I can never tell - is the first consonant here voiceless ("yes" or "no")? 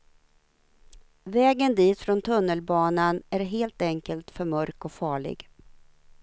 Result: no